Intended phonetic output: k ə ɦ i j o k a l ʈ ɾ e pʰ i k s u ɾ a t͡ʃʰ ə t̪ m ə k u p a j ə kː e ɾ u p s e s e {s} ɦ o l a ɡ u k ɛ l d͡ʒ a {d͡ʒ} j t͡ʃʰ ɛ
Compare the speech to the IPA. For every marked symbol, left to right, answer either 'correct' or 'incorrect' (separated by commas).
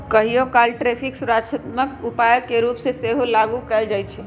incorrect, incorrect